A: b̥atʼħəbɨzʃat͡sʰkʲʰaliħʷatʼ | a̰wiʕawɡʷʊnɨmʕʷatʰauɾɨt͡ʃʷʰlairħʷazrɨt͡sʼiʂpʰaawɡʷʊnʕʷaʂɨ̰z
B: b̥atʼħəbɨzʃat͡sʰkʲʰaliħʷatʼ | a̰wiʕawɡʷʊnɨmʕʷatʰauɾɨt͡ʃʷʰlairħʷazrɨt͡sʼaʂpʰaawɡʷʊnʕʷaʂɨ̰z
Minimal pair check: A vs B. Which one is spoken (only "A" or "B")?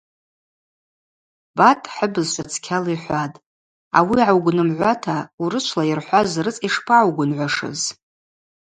A